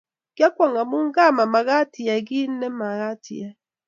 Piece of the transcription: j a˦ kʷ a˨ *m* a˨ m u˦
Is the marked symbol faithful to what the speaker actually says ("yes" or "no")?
no